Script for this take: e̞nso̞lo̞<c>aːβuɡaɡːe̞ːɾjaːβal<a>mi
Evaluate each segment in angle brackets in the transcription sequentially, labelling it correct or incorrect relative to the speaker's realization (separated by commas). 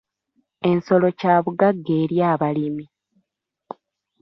correct, incorrect